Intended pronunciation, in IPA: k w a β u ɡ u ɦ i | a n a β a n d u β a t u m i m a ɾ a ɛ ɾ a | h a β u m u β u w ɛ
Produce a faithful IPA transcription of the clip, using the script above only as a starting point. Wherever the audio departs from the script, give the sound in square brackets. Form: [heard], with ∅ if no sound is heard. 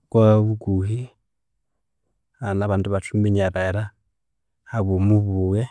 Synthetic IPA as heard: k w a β u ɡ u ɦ i | a n a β a n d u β a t u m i [ɲ] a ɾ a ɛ ɾ a | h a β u m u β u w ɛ